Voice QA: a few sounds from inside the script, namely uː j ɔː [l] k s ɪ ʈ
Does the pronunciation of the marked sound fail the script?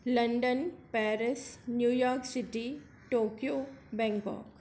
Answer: yes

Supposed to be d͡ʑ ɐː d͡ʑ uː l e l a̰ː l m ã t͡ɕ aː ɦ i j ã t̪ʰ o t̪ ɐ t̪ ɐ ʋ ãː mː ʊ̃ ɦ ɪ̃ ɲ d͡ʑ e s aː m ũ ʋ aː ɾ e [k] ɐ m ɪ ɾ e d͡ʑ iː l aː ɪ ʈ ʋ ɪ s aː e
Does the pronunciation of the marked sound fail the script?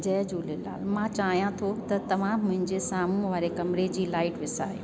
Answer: no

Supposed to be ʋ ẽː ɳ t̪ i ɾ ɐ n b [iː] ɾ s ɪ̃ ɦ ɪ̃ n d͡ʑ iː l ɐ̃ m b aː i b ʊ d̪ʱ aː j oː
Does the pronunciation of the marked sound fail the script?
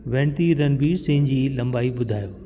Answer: no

